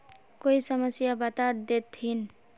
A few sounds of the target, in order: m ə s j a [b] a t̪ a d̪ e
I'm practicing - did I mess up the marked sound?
no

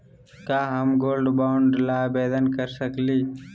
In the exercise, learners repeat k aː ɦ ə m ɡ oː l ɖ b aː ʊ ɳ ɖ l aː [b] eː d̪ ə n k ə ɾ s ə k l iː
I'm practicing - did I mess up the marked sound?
no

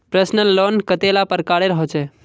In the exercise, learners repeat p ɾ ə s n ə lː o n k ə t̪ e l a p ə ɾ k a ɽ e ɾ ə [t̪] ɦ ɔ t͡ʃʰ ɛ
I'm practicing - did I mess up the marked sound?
yes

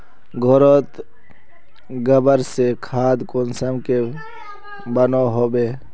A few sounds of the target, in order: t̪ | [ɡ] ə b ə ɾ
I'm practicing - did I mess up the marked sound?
no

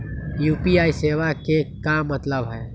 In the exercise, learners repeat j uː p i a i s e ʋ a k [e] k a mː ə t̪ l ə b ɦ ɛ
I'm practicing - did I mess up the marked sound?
no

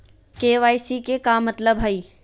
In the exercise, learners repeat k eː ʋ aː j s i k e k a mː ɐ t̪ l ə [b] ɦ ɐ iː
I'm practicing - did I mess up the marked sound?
no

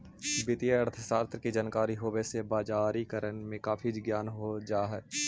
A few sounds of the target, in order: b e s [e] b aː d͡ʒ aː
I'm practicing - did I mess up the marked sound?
no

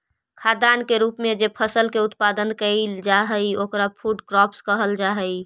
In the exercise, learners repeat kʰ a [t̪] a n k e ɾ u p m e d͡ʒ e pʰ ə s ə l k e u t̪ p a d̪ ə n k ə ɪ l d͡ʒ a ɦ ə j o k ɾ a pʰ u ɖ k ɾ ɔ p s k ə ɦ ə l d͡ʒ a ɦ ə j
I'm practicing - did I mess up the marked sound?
yes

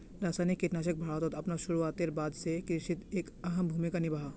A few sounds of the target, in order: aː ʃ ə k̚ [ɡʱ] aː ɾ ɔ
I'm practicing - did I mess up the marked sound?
yes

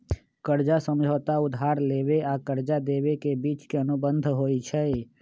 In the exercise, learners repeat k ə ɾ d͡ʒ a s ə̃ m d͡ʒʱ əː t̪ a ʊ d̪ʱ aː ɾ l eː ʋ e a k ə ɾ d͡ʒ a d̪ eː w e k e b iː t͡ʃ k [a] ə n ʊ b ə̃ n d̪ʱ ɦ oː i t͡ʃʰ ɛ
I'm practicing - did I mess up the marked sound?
yes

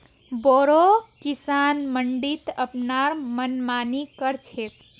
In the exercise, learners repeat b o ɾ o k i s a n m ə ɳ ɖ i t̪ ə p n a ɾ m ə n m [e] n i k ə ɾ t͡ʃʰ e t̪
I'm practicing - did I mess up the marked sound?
yes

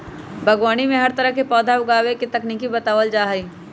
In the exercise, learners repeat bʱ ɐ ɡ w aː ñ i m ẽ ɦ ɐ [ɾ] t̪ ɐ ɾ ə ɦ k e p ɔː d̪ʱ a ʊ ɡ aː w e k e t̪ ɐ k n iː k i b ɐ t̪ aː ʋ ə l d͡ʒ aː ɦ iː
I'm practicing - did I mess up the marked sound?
no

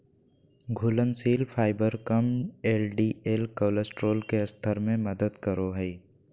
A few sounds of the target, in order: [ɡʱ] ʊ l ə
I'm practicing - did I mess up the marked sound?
no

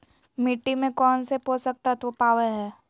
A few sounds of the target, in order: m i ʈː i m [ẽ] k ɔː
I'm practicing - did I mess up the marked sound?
no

